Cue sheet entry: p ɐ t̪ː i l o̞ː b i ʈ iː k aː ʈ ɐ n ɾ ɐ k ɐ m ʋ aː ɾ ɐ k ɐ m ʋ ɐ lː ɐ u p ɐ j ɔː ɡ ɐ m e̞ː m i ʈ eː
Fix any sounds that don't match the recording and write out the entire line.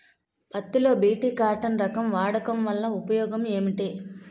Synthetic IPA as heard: p ɐ t̪ː i l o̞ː b iː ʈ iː k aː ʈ ɐ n ɾ ɐ k ɐ m ʋ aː ɽ ɐ k ɐ m ʋ ɐ lː ɐ u p ɐ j ɔː ɡ ɐ m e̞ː m i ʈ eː